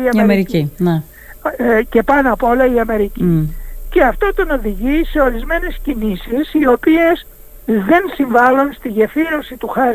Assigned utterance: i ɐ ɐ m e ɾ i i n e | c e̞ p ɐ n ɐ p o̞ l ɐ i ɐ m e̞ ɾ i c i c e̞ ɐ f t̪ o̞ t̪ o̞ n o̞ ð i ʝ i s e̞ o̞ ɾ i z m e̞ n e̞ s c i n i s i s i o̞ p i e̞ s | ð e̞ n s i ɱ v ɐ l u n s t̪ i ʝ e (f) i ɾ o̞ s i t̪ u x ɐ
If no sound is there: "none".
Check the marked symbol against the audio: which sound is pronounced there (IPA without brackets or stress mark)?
f